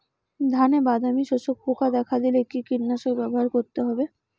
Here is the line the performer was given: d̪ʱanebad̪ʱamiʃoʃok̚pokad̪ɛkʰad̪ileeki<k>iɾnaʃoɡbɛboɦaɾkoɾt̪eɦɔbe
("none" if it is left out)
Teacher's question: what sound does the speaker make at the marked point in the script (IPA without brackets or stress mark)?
k